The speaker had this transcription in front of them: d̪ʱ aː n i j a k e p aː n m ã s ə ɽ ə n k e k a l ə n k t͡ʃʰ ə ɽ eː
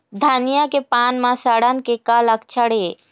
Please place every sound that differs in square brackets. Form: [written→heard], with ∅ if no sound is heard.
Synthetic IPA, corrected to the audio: d̪ʱ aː n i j a k e p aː n m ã s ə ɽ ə n k e k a l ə [n→∅] k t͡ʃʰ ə ɽ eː